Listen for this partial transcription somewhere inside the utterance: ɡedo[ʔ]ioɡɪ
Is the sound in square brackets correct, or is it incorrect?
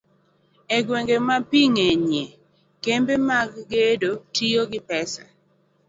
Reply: incorrect: t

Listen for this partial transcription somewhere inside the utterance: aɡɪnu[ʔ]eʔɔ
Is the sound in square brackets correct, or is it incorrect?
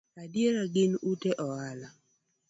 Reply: incorrect: t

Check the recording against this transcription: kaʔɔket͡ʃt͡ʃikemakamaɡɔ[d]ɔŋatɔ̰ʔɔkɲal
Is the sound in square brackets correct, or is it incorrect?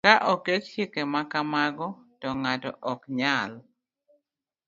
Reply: incorrect: t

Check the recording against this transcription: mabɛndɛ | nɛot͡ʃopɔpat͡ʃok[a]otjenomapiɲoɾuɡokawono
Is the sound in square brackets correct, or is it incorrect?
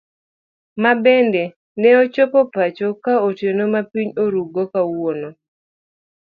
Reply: correct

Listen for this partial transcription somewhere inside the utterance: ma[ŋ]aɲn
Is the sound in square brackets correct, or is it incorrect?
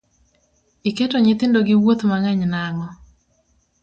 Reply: correct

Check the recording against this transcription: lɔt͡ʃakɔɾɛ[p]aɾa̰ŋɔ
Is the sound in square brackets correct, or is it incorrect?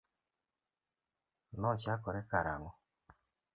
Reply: incorrect: k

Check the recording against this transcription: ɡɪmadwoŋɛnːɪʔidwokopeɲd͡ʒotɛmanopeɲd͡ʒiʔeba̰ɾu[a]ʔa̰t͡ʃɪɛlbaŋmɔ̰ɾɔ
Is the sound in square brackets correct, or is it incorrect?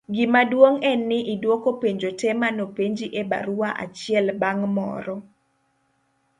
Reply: correct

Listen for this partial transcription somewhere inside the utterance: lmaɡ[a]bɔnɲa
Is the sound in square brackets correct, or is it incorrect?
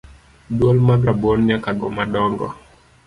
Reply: correct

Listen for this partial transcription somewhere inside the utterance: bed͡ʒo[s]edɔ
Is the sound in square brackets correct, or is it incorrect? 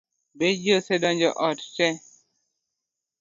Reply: correct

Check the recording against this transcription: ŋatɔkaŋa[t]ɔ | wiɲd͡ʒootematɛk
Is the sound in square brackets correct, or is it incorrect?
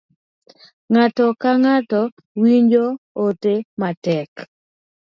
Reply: correct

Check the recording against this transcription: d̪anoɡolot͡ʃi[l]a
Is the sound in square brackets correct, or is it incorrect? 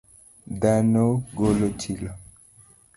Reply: correct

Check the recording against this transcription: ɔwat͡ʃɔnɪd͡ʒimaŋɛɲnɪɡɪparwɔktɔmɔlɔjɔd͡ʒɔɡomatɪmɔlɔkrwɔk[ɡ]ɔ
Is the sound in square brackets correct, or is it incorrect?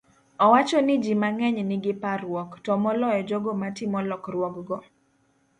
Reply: correct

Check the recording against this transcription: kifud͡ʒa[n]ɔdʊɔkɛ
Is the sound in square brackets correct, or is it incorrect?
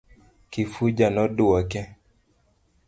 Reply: correct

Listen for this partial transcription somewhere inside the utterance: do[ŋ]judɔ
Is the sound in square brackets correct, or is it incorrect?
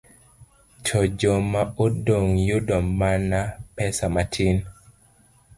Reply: correct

